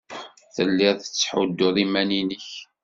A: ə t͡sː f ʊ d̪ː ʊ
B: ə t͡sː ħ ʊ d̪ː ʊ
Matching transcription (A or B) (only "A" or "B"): B